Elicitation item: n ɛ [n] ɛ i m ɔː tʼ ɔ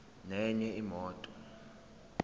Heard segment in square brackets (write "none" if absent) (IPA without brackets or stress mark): ɲ